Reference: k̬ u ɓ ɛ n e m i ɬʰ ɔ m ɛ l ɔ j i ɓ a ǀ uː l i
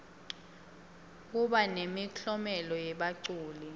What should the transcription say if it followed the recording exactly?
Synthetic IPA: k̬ u ɓ a n e m i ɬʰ ɔ m ɛ l ɔ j ɛ ɓ a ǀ uː l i